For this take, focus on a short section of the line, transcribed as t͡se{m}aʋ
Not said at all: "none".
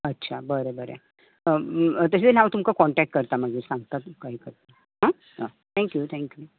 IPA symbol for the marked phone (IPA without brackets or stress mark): n